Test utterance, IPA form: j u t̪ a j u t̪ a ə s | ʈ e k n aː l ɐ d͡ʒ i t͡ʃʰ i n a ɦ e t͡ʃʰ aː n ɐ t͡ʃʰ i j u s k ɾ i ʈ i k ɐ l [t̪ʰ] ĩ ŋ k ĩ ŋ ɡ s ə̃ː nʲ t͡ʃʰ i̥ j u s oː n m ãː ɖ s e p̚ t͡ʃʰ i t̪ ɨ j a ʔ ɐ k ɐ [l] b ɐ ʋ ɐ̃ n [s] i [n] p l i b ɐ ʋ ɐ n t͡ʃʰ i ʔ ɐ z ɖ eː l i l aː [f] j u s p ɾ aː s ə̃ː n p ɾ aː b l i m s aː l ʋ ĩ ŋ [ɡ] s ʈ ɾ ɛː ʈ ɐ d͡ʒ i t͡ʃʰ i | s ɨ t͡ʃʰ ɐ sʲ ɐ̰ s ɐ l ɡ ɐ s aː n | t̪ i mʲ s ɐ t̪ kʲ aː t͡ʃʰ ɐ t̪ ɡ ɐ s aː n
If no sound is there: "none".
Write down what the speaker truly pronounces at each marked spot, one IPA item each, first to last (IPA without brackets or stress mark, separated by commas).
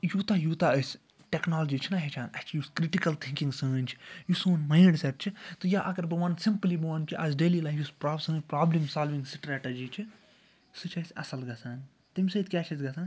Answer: t̪ʰ, ɾ, s, m, f, ɡ